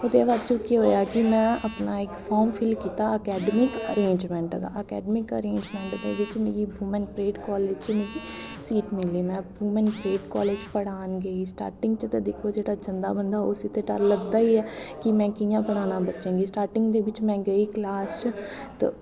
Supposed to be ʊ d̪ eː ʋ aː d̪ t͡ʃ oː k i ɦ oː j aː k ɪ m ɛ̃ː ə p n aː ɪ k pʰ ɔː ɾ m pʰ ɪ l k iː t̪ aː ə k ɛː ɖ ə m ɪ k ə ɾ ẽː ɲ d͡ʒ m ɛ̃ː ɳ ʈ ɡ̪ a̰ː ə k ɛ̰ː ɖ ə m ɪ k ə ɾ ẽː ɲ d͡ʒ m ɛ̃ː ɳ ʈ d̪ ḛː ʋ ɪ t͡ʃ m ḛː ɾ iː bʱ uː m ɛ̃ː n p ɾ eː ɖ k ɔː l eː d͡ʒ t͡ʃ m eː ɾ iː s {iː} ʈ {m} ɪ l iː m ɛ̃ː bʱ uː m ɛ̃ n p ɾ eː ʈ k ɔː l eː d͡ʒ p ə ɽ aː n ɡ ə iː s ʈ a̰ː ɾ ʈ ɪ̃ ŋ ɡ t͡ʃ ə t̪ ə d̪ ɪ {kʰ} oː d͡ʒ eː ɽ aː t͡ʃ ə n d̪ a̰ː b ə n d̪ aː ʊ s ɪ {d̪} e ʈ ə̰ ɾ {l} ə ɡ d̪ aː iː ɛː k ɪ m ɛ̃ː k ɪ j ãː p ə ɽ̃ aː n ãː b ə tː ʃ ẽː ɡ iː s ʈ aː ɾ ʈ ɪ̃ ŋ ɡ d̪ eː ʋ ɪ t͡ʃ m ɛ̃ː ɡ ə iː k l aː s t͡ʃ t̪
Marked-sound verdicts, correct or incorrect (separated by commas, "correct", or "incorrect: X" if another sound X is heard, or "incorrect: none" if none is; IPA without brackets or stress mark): correct, correct, correct, incorrect: t̪, correct